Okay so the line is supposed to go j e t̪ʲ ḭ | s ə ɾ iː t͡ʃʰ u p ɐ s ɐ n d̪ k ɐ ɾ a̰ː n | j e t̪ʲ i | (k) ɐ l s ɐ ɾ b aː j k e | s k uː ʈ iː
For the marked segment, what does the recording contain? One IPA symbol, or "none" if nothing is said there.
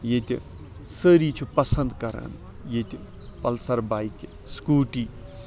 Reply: p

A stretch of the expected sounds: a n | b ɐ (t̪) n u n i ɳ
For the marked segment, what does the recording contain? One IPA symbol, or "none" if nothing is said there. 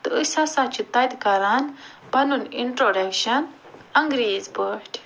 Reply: none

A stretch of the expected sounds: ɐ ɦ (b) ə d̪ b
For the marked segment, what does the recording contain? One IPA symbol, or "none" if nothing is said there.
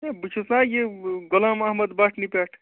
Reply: m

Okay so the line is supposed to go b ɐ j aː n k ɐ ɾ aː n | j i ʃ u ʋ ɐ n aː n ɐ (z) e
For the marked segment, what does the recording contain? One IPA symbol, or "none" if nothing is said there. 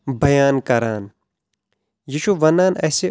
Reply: s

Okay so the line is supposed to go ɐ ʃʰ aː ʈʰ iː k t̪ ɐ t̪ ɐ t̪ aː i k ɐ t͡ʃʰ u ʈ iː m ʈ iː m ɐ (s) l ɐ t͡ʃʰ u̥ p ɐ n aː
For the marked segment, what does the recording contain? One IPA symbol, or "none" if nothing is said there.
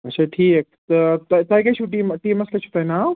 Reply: s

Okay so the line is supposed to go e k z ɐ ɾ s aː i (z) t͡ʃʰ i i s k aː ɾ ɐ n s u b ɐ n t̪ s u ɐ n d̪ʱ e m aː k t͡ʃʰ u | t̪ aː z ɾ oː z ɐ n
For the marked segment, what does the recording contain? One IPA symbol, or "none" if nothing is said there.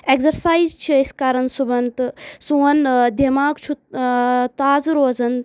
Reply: z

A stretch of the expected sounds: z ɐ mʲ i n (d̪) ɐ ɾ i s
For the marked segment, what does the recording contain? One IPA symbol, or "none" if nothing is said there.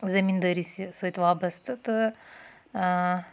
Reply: d̪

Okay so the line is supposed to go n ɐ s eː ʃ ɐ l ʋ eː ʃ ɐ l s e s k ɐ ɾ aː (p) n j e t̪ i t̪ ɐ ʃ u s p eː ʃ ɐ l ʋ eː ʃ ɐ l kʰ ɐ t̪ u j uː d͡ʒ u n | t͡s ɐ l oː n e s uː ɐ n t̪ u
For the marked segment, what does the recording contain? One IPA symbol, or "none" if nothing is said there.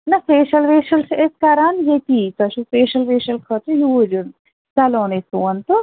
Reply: none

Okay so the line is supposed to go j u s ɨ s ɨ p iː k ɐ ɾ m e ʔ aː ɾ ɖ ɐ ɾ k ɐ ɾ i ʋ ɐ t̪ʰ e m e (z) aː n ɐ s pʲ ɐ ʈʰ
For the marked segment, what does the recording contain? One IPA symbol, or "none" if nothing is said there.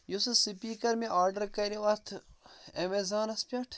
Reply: z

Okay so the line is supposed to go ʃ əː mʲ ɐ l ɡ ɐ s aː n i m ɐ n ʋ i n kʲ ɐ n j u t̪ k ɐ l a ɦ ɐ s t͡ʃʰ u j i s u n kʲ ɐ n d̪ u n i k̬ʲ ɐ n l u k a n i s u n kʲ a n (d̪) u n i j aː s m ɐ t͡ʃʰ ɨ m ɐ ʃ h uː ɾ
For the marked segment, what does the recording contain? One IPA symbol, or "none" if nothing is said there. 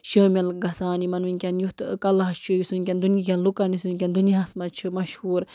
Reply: d̪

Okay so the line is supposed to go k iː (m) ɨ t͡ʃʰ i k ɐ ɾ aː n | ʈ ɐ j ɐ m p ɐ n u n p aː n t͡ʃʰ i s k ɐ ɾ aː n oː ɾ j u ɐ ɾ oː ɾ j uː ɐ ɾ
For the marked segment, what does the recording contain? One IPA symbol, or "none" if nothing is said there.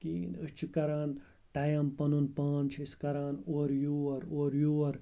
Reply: n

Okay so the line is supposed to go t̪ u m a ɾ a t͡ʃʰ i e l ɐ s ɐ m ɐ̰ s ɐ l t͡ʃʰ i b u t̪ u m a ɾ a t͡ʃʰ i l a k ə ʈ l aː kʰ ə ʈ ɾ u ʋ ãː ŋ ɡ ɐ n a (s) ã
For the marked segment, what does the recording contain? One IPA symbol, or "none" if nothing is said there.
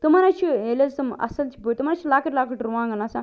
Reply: s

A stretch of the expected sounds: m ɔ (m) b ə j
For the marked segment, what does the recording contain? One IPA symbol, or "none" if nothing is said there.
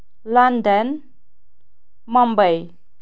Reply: m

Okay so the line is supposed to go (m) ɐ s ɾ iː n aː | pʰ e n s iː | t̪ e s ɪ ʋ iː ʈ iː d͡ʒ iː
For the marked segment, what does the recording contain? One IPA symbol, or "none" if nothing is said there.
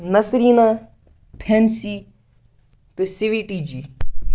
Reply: n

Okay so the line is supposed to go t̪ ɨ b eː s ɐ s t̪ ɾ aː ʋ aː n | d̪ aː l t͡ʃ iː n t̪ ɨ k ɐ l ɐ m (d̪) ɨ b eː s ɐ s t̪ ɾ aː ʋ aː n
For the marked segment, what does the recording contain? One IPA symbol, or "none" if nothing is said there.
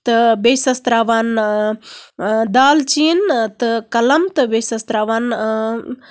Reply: t̪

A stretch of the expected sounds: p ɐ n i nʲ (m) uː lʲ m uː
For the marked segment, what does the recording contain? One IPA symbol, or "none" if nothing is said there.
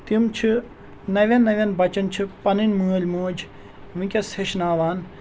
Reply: m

